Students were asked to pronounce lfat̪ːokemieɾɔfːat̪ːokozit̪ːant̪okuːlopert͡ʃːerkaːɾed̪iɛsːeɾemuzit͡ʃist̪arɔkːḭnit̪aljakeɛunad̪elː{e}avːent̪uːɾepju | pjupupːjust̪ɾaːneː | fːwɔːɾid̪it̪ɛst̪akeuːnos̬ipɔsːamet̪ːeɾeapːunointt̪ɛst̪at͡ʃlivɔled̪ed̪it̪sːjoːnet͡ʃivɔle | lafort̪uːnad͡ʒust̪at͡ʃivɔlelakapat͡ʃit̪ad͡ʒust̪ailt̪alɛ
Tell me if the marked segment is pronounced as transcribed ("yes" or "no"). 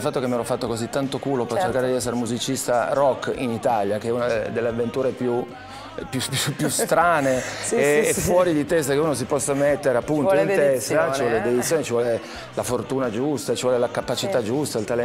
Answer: yes